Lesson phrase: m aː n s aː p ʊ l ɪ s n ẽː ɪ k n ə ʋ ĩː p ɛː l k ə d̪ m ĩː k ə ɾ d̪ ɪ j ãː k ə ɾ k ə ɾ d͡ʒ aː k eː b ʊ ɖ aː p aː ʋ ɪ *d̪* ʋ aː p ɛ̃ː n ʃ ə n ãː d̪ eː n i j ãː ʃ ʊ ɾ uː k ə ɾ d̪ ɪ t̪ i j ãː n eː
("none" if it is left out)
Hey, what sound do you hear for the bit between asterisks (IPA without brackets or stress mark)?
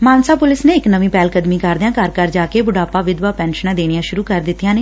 d̪